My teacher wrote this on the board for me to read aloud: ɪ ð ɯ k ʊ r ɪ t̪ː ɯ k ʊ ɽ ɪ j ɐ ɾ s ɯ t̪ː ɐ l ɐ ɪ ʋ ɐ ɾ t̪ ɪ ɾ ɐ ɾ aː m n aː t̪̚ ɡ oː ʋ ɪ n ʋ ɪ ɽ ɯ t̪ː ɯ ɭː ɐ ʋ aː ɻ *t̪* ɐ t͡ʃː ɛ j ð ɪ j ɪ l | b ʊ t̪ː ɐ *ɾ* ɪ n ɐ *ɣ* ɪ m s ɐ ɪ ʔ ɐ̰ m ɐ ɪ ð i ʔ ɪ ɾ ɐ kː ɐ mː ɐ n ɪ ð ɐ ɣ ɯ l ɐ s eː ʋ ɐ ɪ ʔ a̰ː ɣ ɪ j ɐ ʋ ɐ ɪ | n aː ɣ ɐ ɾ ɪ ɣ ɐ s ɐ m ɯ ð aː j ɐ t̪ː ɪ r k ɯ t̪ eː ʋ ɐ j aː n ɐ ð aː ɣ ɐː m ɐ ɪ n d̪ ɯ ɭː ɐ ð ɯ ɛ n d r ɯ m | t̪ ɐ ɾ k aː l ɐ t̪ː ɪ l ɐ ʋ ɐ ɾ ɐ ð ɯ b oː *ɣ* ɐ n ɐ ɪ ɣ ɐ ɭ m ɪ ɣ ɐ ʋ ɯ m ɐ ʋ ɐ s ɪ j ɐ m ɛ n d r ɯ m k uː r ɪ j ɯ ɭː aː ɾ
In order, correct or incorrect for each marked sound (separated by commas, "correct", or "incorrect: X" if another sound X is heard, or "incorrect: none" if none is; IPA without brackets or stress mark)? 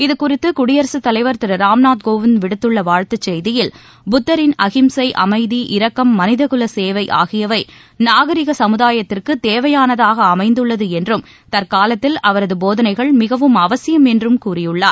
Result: correct, correct, correct, incorrect: ð